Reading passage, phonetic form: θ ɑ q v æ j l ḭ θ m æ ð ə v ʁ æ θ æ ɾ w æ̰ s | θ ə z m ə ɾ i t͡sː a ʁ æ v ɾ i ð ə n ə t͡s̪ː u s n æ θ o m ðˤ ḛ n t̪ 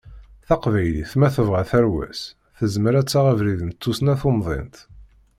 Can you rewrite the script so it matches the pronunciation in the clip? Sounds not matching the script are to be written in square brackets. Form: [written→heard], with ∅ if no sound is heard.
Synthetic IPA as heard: θ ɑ q v æ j l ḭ θ m æ [ð→θ] ə v ʁ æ θ æ ɾ w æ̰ s | θ ə z m ə ɾ [i→æ] t͡sː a ʁ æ v ɾ i ð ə n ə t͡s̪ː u s n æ θ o m ðˤ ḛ n t̪